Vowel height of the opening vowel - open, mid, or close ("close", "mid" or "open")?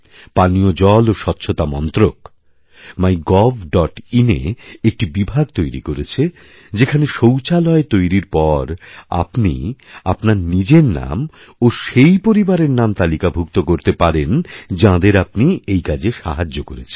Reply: open